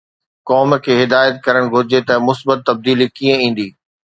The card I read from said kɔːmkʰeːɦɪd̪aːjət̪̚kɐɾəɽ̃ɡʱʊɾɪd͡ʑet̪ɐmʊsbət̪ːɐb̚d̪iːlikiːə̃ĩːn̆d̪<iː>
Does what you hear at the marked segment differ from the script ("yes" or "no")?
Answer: no